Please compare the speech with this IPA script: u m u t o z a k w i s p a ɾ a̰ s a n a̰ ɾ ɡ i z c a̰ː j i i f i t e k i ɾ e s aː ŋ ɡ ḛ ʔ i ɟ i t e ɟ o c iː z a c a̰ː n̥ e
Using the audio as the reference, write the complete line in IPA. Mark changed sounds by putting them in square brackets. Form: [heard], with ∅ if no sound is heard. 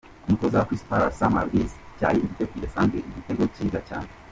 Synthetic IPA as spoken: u m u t o z a k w i s p a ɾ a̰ s a [m] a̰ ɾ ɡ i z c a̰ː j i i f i t e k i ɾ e s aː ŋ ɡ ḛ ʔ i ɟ i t e [ɡ] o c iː z a c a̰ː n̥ e